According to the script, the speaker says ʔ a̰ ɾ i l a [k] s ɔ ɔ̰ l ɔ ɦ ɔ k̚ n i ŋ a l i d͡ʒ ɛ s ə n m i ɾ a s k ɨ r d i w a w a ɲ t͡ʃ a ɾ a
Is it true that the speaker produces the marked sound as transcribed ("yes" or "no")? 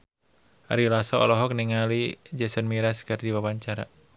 no